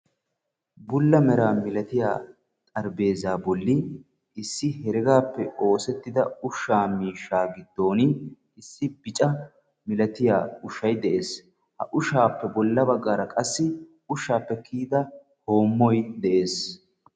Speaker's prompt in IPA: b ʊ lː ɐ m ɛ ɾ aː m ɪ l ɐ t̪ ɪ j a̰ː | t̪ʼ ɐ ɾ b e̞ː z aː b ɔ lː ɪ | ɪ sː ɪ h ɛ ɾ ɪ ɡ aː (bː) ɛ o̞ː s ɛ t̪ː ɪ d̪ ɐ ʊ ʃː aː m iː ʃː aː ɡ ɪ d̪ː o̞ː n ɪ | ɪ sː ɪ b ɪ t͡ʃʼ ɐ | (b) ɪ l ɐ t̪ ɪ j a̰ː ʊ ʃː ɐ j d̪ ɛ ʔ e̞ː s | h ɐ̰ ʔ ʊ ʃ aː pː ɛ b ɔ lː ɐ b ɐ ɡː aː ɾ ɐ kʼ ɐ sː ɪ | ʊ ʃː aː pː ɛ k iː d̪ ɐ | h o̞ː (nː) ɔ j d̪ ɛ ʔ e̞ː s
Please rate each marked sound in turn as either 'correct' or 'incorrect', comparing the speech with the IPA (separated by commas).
incorrect, incorrect, incorrect